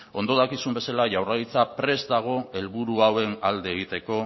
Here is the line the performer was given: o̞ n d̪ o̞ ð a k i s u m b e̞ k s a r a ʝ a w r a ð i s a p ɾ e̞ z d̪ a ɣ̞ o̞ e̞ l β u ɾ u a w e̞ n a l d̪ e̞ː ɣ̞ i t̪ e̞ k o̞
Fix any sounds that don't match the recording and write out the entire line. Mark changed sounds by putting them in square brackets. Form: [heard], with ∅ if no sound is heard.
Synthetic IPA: o̞ n d̪ o̞ ð a k i s u m b e̞ [∅] s a [l] a ʝ a w r a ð i [t͡s] a p ɾ e̞ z d̪ a ɣ̞ o̞ e̞ l β u ɾ u a w e̞ n a l d̪ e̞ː ɣ̞ i t̪ e̞ k o̞